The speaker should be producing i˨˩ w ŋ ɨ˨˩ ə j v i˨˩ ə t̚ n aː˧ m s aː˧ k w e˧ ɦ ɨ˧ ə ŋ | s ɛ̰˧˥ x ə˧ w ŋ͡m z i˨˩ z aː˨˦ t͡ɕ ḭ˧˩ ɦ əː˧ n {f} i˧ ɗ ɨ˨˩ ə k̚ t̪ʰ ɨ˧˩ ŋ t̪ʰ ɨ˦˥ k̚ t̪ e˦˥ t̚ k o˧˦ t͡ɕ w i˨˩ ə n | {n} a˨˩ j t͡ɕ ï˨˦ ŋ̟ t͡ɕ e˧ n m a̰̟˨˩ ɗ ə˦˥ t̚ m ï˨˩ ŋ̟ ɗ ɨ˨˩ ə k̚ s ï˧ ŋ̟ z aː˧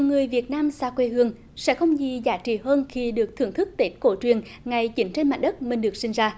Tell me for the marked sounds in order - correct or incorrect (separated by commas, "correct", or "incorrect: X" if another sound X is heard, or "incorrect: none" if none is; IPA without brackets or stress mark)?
incorrect: x, incorrect: ŋ